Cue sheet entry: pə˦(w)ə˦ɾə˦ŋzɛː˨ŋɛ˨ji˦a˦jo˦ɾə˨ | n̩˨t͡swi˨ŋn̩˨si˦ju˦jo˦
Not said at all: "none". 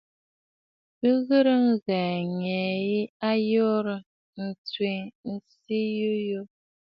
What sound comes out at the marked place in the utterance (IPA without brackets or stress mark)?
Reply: ɣ